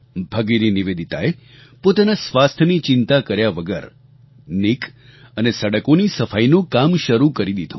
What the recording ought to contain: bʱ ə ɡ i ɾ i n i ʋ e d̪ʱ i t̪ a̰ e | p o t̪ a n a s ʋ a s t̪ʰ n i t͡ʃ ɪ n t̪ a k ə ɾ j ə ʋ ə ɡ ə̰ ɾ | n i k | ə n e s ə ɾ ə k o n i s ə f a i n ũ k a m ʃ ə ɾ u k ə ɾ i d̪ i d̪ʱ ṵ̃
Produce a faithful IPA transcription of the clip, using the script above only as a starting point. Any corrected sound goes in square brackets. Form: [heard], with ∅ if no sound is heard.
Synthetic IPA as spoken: bʱ ə ɡ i ɾ i n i ʋ e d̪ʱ i t̪ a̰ e | p o t̪ a n a s ʋ a s t̪ʰ n i t͡ʃ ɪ n t̪ a k ə ɾ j [a] ʋ ə ɡ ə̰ ɾ | n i k | ə n e s ə [ɽ] ə k o n i s ə f a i n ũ k a m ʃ ə ɾ u k ə ɾ i d̪ i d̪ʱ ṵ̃